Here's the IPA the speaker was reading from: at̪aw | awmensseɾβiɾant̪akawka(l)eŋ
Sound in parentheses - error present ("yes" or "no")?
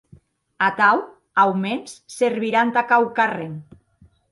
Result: yes